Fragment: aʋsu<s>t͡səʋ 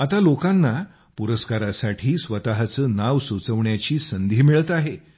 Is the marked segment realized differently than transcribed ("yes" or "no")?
yes